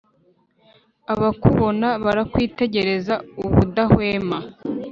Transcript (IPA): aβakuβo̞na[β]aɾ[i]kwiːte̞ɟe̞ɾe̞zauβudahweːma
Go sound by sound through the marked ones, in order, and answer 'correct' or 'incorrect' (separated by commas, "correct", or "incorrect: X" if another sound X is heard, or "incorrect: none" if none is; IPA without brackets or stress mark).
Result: correct, incorrect: a